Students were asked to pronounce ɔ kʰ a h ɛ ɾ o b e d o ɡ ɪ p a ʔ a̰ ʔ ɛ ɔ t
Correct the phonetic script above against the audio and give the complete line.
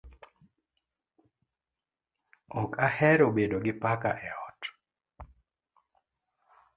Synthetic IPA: ɔ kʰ a h ɛ ɾ o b e d o ɡ ɪ p a k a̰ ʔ ɛ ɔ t